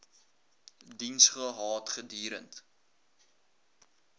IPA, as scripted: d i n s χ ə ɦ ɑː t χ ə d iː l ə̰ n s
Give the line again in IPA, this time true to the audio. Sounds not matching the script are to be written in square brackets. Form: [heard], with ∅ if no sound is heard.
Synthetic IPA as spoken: d i n s χ ə ɦ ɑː t χ ə d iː [ɾ] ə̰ n [t]